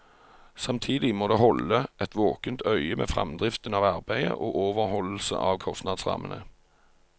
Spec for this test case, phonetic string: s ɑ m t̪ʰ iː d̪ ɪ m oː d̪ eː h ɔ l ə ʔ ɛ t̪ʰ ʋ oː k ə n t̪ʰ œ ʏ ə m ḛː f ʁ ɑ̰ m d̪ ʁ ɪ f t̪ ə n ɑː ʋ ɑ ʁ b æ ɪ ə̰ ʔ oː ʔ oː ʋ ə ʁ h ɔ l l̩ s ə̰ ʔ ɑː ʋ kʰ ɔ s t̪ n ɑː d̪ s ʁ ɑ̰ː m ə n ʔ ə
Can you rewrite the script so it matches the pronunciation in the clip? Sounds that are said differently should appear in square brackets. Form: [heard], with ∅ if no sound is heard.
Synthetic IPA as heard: s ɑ m t̪ʰ iː d̪ ɪ m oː d̪ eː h ɔ l ə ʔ ɛ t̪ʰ ʋ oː k ə n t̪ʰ œ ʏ ə m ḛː f ʁ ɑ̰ m d̪ ʁ ɪ f t̪ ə n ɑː ʋ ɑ ʁ b æ ɪ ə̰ ʔ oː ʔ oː ʋ ə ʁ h ɔ l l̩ s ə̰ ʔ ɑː ʋ kʰ ɔ s t̪ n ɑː d̪ s ʁ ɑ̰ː m ə n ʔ ə